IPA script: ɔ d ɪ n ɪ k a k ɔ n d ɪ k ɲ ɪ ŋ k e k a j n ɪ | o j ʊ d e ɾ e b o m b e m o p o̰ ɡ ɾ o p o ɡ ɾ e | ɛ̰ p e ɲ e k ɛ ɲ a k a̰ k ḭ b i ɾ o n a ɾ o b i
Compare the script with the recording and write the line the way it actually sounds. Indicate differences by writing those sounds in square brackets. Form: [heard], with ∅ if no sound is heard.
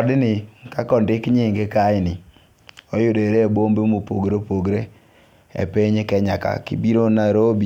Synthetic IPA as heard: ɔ d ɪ n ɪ k a k ɔ n d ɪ k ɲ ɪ ŋ [ɡ] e k a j n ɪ | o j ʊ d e ɾ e b o m b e m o p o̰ ɡ ɾ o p o ɡ ɾ e | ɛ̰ p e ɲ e k ɛ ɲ a k a̰ k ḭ b i ɾ o n a ɾ o b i